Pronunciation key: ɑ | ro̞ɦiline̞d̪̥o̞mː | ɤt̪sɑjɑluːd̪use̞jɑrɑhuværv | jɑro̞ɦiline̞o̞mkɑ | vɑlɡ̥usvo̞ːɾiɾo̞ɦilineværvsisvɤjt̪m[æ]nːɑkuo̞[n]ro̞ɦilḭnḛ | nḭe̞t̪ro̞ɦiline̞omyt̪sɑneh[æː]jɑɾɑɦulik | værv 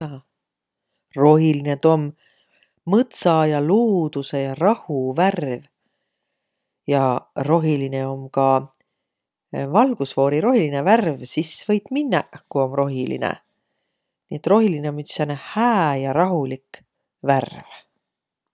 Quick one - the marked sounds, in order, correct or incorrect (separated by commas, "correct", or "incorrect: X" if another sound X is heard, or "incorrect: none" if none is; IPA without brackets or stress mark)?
incorrect: i, incorrect: m, correct